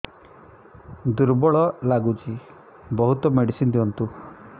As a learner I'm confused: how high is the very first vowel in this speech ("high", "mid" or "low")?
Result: high